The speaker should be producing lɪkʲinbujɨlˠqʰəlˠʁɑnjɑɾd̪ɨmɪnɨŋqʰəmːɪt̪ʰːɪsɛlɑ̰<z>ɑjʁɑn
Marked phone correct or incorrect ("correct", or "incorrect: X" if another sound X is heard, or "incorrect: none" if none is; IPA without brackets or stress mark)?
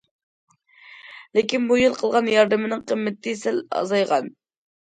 correct